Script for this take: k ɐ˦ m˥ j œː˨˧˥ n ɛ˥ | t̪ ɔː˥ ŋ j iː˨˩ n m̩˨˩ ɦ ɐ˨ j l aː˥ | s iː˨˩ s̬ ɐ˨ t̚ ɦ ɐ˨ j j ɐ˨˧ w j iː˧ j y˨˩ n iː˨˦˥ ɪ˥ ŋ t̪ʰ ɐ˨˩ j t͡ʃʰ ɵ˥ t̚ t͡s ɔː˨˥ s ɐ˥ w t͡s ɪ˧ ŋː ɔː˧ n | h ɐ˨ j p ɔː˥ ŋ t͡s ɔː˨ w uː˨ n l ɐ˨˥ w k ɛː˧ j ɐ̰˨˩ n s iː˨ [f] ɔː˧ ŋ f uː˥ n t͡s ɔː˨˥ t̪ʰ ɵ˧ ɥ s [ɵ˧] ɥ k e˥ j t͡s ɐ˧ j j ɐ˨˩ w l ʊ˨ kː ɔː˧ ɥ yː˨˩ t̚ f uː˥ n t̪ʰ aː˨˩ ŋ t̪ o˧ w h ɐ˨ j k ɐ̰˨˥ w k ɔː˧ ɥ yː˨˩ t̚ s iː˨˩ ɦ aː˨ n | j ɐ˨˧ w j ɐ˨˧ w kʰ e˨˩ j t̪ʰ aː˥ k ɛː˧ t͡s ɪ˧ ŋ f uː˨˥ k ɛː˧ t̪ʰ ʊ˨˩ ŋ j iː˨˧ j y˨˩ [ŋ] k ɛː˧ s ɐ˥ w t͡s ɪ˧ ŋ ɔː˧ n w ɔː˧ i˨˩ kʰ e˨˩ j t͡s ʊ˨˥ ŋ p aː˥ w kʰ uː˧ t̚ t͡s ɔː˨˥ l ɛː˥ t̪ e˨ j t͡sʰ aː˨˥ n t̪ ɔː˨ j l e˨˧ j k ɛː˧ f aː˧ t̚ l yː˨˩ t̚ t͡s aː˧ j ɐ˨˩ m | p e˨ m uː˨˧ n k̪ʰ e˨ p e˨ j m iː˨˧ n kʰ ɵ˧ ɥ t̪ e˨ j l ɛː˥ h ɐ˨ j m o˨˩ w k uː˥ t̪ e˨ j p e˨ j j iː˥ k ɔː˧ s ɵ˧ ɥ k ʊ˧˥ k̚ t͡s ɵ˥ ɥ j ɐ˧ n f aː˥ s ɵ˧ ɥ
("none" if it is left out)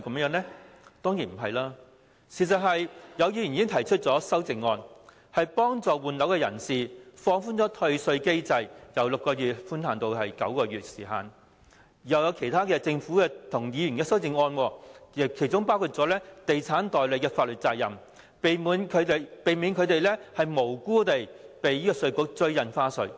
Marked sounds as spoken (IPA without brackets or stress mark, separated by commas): f, ɵ˧, n